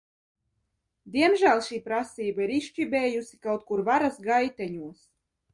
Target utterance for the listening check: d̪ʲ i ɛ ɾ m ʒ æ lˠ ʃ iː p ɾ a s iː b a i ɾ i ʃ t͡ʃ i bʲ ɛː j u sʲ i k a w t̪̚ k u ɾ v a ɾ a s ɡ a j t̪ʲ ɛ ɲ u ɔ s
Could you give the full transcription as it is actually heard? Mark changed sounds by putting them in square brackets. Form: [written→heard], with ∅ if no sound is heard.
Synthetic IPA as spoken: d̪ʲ i ɛ [ɾ→∅] m ʒ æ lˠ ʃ iː p ɾ a s iː b a i ɾ i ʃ t͡ʃ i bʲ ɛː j u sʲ i k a w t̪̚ k u ɾ v a ɾ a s ɡ a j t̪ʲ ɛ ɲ u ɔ s